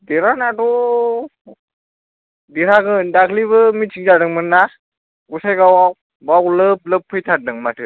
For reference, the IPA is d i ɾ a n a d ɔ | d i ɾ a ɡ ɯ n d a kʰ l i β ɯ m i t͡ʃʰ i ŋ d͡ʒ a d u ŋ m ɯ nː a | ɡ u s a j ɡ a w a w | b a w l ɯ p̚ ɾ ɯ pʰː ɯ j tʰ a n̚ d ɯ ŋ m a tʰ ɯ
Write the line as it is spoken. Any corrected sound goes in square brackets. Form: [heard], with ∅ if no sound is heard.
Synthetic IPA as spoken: d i ɾ a n a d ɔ | d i ɾ a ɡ ɯ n d a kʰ l i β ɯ m i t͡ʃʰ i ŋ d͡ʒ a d [ɯ] ŋ m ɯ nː a | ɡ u s a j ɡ a w a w | b a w l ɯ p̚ [l] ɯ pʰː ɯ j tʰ a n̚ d ɯ ŋ m a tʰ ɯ